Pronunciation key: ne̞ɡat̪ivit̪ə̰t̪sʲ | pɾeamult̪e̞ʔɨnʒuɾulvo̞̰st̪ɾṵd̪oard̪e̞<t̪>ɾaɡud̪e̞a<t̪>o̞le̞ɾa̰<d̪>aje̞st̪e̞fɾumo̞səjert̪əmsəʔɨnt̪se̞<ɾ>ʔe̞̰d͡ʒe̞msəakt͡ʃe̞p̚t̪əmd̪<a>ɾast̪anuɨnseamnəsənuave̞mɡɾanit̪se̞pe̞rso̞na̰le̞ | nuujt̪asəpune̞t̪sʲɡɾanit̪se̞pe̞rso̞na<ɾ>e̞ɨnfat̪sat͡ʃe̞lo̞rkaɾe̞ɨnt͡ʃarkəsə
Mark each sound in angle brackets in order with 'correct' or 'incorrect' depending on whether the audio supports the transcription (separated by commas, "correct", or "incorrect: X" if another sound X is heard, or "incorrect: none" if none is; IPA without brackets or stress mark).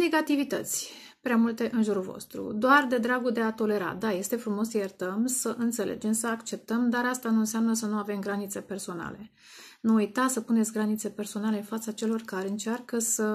incorrect: d̪, correct, correct, incorrect: l, correct, incorrect: l